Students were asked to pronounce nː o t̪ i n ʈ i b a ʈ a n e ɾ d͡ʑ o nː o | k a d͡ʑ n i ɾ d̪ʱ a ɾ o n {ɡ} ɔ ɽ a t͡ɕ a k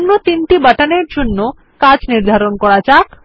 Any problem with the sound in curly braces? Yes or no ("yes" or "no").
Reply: yes